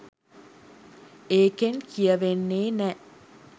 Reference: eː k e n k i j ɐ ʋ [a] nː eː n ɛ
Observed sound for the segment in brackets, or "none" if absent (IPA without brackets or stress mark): e